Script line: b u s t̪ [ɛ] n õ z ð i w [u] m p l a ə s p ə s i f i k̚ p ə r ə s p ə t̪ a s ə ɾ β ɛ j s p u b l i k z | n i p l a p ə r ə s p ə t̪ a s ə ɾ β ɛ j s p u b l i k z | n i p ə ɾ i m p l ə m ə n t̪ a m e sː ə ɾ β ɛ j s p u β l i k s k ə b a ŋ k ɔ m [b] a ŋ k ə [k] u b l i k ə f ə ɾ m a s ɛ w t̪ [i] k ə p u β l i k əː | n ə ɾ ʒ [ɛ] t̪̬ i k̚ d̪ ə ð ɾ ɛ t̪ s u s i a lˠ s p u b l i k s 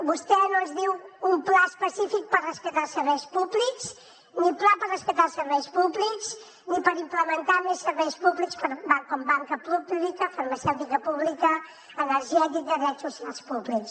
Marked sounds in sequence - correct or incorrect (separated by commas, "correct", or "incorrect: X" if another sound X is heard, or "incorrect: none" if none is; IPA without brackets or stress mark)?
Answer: correct, correct, correct, incorrect: p, correct, correct